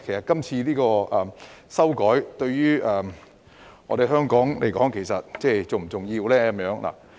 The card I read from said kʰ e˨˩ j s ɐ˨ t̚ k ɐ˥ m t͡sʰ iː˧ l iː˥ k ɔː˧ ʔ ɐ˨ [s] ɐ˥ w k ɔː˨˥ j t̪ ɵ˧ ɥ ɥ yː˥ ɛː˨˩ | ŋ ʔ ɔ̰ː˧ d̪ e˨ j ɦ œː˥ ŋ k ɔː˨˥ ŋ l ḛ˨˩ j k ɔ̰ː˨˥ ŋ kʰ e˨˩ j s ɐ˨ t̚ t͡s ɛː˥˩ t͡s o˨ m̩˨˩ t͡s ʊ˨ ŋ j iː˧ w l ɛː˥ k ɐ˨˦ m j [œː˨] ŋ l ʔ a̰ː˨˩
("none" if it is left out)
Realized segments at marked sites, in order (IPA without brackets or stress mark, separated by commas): s, œː˨˥